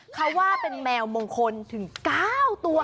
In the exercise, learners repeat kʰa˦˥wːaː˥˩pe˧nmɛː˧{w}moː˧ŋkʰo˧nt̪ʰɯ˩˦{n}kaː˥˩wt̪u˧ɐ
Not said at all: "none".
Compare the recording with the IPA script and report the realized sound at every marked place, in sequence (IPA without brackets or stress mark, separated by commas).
w, ŋ